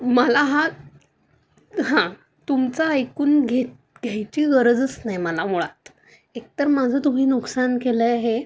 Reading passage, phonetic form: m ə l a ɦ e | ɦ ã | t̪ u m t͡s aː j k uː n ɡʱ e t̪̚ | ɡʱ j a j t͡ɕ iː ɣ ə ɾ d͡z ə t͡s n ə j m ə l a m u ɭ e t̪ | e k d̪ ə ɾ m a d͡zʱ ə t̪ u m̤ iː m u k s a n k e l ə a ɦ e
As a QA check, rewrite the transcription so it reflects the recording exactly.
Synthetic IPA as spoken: m ə l a ɦ a | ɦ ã | t̪ u m t͡s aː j k uː n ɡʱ e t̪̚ | ɡʱ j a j t͡ɕ iː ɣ ə ɾ d͡z ə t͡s n a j m ə l a m u ɭ a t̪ | e k t̪ ə ɾ m a d͡zʱ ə t̪ u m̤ iː n u k s a n k e l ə a ɦ e